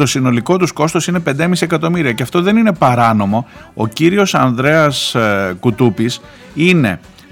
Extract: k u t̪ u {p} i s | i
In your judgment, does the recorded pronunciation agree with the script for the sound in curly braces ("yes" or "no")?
yes